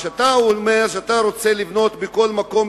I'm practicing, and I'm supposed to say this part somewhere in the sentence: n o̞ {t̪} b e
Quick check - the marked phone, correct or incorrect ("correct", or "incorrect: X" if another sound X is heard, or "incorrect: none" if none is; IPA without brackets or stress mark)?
correct